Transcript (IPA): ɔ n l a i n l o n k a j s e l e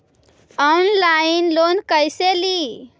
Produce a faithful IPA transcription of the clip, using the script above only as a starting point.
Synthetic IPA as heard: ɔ n l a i n l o n k ə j s e l i

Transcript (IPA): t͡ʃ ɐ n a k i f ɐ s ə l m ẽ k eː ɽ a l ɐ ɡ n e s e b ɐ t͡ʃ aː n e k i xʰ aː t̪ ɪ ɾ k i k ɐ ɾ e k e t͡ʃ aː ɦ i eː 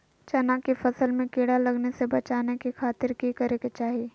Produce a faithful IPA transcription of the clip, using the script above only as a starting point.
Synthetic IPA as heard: t͡ʃ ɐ n a k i f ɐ s ə l m ẽ k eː ɽ a l ɐ ɡ n e s e b ɐ t͡ʃ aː n e k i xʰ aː t̪ ɪ ɾ k i k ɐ ɾ e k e t͡ʃ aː ɦ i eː

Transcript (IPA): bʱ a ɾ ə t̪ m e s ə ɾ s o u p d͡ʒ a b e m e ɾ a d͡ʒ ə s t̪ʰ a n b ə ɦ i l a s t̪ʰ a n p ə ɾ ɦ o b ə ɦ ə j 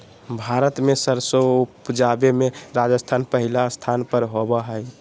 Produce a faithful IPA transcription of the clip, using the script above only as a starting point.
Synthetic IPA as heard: bʱ a ɾ ə t̪ m e s ə ɾ s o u p d͡ʒ a b e m e ɾ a d͡ʒ ə s t̪ʰ a n p ə ɦ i l a s t̪ʰ a n p ə ɾ ɦ o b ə ɦ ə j

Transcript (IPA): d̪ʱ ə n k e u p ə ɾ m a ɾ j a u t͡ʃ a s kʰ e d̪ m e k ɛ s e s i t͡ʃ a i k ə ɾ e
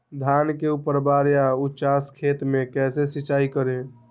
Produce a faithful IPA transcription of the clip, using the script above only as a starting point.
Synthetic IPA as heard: d̪ʱ a n k e u p ə ɾ b a ɾ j a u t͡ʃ a s kʰ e t̪ m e k ɛ s e s i t͡ʃ a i k ə ɾ e

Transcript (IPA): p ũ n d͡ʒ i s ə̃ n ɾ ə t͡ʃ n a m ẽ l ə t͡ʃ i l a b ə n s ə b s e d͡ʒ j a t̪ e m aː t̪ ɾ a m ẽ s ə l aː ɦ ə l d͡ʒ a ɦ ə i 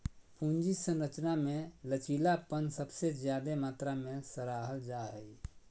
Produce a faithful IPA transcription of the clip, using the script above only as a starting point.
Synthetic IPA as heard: p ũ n d͡ʒ i s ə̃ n ɾ ə t͡ʃ n a m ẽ l ə t͡ʃ i l a p ə n s ə b s e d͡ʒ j a d̪ e m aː t̪ ɾ a m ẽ s ə ɾ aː ɦ ə l d͡ʒ a ɦ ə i

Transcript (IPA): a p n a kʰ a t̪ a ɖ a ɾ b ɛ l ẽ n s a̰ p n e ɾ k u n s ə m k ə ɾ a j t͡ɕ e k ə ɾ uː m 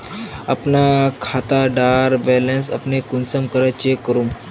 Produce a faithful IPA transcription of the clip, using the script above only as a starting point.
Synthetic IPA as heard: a p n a kʰ a t̪ a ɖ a ɾ b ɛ l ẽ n s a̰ p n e k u n s ə m k ə ɾ a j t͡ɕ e k ə ɾ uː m

